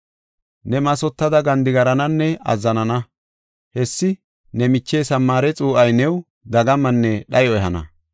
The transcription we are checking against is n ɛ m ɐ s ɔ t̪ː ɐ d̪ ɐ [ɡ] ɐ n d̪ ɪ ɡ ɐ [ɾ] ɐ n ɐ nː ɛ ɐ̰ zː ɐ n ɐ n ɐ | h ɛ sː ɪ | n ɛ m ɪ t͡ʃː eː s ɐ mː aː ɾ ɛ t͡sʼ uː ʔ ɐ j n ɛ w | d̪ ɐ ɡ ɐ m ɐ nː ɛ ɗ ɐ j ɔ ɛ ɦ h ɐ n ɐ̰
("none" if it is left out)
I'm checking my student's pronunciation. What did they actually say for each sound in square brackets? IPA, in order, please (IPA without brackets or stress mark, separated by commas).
ɡ, ɾ